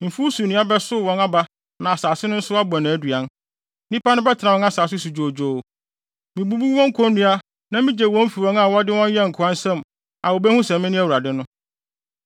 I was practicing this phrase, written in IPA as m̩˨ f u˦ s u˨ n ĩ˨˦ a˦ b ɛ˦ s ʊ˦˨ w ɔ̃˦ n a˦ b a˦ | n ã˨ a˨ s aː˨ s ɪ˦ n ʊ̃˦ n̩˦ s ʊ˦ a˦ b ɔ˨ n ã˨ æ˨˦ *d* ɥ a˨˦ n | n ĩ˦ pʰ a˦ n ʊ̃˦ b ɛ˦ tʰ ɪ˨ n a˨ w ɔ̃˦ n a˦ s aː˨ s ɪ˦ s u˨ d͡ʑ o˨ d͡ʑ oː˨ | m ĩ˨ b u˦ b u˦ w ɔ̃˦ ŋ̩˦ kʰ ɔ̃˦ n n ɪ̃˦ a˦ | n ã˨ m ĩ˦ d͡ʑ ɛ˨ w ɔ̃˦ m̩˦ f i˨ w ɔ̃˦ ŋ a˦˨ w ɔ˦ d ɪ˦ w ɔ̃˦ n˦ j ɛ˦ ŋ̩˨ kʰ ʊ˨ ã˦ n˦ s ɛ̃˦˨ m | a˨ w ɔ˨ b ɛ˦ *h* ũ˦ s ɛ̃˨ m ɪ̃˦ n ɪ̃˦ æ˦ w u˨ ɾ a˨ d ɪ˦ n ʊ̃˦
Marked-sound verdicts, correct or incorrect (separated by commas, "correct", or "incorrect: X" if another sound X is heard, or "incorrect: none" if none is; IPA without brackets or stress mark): correct, correct